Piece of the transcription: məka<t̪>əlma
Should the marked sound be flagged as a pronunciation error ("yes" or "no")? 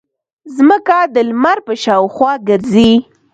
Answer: yes